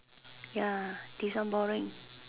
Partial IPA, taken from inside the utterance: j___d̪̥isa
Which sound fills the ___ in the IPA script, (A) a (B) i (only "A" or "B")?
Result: A